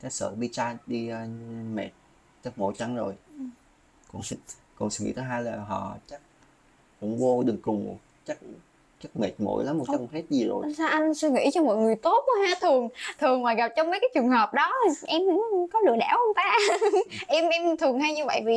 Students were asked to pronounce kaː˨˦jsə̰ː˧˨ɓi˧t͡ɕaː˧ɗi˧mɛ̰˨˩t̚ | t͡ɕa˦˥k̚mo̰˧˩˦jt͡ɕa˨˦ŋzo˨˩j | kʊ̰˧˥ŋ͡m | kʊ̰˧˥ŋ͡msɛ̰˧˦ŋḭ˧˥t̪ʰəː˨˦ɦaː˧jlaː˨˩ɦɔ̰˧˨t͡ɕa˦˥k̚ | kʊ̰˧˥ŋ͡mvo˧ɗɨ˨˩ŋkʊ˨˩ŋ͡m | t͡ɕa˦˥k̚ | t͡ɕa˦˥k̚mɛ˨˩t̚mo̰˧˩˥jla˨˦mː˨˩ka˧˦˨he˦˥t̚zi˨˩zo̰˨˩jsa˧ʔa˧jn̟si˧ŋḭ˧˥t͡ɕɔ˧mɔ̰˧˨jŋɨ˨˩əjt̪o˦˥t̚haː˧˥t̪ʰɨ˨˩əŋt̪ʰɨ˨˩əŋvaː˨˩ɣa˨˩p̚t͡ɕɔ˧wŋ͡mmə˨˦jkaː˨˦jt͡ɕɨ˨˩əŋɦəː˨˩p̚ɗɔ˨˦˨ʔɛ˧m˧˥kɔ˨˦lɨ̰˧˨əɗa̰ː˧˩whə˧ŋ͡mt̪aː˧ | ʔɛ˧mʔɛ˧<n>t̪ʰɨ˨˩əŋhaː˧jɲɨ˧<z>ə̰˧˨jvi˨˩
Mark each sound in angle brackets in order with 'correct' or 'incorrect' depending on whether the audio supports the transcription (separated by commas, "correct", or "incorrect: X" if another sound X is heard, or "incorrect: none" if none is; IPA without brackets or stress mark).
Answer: incorrect: m, incorrect: v